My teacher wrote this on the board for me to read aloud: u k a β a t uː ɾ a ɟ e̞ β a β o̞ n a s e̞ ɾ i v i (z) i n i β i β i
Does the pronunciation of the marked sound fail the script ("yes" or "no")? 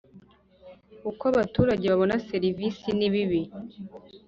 yes